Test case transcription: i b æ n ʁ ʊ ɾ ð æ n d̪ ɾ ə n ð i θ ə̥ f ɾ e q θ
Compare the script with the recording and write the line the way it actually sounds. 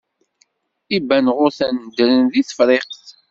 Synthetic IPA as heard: i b æ n ʁ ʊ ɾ θ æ n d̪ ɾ ə n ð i θ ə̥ f ɾ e q θ